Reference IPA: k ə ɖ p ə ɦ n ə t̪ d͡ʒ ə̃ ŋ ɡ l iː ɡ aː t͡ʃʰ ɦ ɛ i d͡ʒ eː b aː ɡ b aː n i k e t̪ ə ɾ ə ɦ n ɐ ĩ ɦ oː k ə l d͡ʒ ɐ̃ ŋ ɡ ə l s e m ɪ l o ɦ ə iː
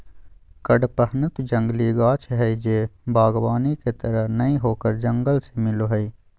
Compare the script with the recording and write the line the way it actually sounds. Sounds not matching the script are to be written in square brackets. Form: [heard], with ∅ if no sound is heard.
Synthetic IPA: k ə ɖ p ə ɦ n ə t̪ d͡ʒ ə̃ ŋ ɡ l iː ɡ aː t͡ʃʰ ɦ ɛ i d͡ʒ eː b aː ɡ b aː n i k e t̪ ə ɾ ə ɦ n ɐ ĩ ɦ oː k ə [ɾ] d͡ʒ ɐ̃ ŋ ɡ ə l s e m ɪ l o ɦ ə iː